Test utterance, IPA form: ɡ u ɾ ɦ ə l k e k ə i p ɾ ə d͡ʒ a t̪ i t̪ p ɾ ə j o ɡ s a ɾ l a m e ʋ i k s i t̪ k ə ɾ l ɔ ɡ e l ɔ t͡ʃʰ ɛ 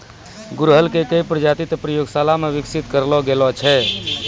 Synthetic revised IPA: ɡ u ɾ ɦ ə l k e k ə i p ɾ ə d͡ʒ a t̪ i t̪ p ɾ ə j o ɡ s a l a m e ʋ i k s i t̪ k ə ɾ l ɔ ɡ e l ɔ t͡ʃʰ ɛ